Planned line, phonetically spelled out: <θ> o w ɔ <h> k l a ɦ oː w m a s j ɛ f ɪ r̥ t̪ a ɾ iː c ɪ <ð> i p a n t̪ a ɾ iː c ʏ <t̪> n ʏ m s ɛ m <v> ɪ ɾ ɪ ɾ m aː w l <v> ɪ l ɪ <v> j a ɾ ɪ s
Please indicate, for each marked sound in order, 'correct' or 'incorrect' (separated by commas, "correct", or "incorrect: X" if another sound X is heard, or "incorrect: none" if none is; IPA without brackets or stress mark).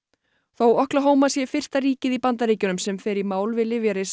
correct, correct, correct, incorrect: none, incorrect: f, correct, correct